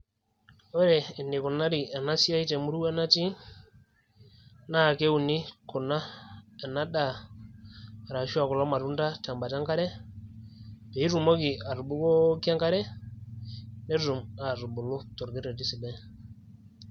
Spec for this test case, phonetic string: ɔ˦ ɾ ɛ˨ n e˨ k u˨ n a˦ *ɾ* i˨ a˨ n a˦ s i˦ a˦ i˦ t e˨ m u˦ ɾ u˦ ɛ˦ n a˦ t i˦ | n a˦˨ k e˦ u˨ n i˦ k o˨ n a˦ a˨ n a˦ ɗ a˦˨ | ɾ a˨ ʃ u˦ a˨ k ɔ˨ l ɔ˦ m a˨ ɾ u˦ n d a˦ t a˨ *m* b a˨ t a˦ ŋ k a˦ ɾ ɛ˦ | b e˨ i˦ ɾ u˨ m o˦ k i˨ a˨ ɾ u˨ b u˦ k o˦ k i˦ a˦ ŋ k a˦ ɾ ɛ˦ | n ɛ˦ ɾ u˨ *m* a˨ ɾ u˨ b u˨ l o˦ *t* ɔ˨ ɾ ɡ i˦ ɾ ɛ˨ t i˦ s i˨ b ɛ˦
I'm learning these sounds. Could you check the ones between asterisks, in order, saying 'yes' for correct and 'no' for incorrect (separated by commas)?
yes, yes, yes, yes